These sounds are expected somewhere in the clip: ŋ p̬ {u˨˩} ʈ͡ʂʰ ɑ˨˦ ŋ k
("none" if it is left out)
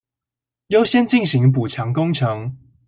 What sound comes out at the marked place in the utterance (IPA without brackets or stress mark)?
u˨˩